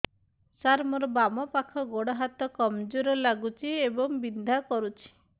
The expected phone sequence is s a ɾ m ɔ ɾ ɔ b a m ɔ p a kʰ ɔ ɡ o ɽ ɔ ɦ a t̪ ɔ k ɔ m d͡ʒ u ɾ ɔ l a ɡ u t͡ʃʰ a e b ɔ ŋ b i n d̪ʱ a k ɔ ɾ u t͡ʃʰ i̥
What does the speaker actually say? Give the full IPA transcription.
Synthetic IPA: s a ɾ m ɔ ɾ ɔ b a m ɔ p a kʰ ɔ ɡ o ɽ ɔ ɦ a t̪ ɔ k ɔ m d͡ʒ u ɾ ɔ l a ɡ u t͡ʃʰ i e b ɔ ŋ b i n d̪ʱ a k ɔ ɾ u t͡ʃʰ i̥